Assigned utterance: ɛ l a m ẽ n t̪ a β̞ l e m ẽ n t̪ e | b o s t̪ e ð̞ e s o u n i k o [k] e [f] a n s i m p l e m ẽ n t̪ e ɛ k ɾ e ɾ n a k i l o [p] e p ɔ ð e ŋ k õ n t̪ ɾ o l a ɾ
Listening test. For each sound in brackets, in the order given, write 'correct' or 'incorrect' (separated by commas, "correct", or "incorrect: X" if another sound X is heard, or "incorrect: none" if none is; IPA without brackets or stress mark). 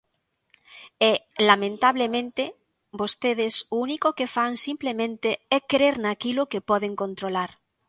correct, correct, incorrect: k